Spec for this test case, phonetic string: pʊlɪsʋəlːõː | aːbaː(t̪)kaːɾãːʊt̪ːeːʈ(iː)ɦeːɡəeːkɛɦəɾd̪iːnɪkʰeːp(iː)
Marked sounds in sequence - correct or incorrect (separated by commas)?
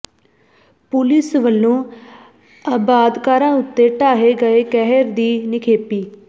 incorrect, incorrect, correct